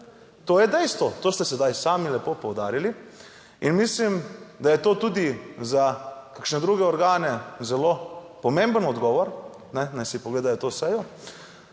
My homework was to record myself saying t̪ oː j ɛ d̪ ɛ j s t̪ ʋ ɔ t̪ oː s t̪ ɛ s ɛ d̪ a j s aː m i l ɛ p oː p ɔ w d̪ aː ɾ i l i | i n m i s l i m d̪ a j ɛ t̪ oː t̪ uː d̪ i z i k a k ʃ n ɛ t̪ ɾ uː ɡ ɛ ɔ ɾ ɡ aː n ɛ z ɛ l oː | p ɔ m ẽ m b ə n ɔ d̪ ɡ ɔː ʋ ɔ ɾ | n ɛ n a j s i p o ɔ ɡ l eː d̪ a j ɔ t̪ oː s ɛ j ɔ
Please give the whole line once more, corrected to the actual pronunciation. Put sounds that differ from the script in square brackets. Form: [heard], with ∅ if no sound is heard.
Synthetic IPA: t̪ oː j ɛ d̪ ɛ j s t̪ ʋ ɔ t̪ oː s t̪ ɛ s ɛ d̪ a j s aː m i l ɛ p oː p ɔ w d̪ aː ɾ i l i | i n m i s l i m d̪ a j ɛ t̪ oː t̪ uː d̪ i z [a] k a k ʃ n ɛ [d̪] ɾ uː ɡ ɛ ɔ ɾ ɡ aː n ɛ z ɛ l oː | p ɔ m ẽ m b ə n ɔ d̪ ɡ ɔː ʋ ɔ ɾ | n ɛ n a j s i p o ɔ ɡ l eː d̪ a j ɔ t̪ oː s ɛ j ɔ

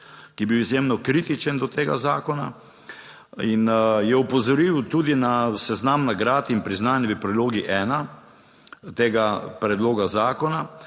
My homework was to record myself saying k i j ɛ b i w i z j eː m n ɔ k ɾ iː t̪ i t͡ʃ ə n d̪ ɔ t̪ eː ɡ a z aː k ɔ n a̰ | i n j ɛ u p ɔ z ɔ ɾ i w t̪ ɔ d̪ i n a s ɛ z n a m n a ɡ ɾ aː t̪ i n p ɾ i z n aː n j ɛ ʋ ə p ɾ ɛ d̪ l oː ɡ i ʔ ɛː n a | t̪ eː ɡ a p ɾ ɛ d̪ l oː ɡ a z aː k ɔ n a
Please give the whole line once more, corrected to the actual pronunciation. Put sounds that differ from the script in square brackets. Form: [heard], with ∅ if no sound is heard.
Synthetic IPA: k i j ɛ b i w i z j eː m n ɔ k ɾ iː t̪ i t͡ʃ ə n d̪ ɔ t̪ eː ɡ a z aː k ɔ n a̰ | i n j ɛ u p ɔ z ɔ ɾ i w t̪ [u] d̪ i n a s ɛ z n a m n a ɡ ɾ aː t̪ i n p ɾ i z n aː n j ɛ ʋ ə p ɾ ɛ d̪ l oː ɡ i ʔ ɛː n a | t̪ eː ɡ a p ɾ ɛ d̪ l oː ɡ a z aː k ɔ n a

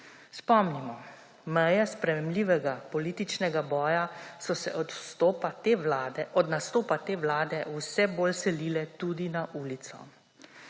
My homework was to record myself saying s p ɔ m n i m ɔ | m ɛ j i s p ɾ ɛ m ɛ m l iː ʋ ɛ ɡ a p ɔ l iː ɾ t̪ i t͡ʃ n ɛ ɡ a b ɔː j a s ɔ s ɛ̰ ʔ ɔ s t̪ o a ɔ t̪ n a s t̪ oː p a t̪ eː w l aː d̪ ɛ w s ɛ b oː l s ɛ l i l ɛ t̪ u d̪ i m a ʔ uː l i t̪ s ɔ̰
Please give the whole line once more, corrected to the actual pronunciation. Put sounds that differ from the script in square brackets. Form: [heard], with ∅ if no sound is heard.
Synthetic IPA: s p ɔ m n i m ɔ | m ɛ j [ɛ] s p ɾ ɛ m ɛ m l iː ʋ ɛ ɡ a p ɔ l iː [∅] t̪ i t͡ʃ n ɛ ɡ a b ɔː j a s ɔ s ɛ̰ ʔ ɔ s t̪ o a ɔ [d̪] n a s t̪ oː p a t̪ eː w l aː d̪ ɛ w s ɛ b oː l s ɛ l i l ɛ t̪ u d̪ i [n] a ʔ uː l i t̪ s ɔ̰

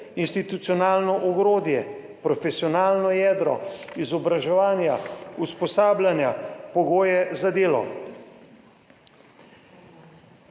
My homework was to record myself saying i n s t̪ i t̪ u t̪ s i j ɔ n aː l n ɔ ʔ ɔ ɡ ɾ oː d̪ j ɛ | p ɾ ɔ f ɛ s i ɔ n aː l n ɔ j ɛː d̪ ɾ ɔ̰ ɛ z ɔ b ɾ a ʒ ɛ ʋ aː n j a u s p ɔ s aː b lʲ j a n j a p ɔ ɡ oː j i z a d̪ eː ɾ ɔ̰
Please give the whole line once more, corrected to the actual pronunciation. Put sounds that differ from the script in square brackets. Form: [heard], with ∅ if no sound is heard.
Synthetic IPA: i n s t̪ i t̪ u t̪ s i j ɔ n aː l n ɔ ʔ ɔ ɡ ɾ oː d̪ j ɛ | p ɾ ɔ f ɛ s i ɔ n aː l n ɔ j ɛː d̪ ɾ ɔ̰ [i] z ɔ b ɾ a ʒ ɛ ʋ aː n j a u s p ɔ s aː b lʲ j a n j a p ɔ ɡ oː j [ɛ] z a d̪ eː [l] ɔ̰

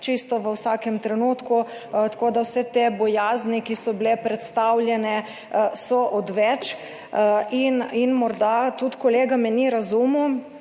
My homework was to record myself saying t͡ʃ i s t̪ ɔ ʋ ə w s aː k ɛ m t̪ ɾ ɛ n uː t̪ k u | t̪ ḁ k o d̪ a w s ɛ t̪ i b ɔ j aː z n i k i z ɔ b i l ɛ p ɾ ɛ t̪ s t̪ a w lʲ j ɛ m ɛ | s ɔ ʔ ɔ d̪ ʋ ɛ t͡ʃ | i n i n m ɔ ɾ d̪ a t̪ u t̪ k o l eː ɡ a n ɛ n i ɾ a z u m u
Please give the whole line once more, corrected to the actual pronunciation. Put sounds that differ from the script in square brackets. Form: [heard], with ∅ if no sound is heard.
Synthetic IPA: t͡ʃ i s t̪ ɔ ʋ ə w s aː k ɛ m t̪ ɾ ɛ n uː t̪ k u | t̪ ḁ k o d̪ a w s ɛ t̪ [e] b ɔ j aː z n i k i [s] ɔ b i l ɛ p ɾ ɛ t̪ s t̪ a w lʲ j ɛ [n] ɛ | s ɔ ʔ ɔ d̪ ʋ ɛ t͡ʃ | i n i n m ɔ ɾ d̪ a t̪ u t̪ k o l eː ɡ a [m] ɛ n i ɾ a z u m u

